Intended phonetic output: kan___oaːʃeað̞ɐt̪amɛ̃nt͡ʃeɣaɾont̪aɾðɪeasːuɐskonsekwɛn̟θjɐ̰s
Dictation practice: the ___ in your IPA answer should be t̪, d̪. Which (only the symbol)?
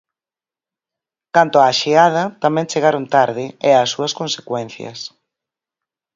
t̪